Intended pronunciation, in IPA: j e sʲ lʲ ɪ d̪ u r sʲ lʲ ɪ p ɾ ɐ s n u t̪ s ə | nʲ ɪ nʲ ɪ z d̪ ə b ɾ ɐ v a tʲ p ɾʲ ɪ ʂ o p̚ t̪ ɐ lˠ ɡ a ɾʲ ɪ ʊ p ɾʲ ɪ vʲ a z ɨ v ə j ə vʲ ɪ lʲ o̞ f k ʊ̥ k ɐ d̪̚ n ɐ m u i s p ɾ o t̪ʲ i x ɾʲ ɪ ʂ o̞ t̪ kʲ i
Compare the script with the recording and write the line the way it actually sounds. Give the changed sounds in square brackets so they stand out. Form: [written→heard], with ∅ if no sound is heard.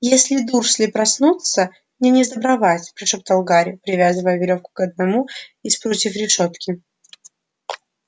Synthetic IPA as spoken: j e sʲ lʲ ɪ d̪ u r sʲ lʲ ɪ p ɾ ɐ s n u t̪ s ə | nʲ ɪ nʲ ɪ z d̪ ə b ɾ ɐ v a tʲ p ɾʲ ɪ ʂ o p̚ t̪ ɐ lˠ ɡ a ɾʲ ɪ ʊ p ɾʲ ɪ vʲ a z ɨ v ə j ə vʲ ɪ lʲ o̞ f k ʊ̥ k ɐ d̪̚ n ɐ m u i s p ɾ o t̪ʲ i [x→f] ɾʲ ɪ ʂ o̞ t̪ kʲ [i→ɪ]